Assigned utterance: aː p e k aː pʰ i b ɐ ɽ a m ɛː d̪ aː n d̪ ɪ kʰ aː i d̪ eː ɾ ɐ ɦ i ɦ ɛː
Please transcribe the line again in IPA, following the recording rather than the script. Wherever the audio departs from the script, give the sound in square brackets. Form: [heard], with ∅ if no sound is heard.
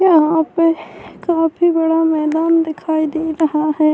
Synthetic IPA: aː p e k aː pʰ i b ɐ ɽ a m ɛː d̪ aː n d̪ ɪ kʰ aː i d̪ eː ɾ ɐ ɦ [a] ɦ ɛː